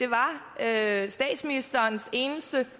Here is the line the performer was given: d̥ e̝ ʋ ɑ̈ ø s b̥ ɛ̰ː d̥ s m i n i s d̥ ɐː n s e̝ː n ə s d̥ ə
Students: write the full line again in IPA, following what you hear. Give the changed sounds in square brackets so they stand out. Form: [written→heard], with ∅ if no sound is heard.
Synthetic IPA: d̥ e̝ ʋ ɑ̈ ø s [b̥→d̥] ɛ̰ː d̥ s m i n i s d̥ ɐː n s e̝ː n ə s d̥ ə